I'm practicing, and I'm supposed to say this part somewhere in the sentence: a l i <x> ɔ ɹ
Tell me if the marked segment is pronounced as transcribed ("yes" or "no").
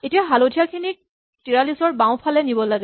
no